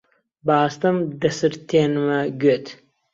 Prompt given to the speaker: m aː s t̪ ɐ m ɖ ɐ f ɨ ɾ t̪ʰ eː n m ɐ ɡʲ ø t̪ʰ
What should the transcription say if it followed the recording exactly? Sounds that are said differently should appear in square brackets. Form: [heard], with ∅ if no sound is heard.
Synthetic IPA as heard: [b] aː s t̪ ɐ m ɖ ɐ [s] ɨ ɾ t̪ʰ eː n m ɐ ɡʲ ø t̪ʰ